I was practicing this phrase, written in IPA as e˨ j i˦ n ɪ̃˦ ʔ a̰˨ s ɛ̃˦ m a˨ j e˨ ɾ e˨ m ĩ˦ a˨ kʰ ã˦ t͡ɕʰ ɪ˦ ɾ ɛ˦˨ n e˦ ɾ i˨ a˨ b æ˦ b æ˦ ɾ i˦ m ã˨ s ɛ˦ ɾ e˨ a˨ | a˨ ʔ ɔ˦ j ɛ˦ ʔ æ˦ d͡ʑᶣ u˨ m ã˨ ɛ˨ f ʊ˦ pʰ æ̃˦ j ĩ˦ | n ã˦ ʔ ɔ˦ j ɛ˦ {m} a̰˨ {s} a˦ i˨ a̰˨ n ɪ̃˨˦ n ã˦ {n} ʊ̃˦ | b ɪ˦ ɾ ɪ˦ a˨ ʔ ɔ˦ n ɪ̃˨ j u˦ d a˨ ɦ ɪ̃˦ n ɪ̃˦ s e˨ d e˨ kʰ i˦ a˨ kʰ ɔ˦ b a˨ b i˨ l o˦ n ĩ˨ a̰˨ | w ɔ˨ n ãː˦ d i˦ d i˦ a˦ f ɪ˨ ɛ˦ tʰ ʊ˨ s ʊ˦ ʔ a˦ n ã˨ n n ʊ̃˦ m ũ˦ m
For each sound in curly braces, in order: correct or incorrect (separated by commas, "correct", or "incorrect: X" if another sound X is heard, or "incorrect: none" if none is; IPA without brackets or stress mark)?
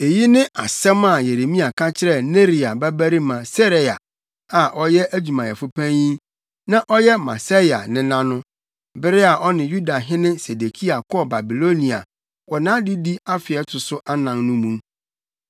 correct, correct, correct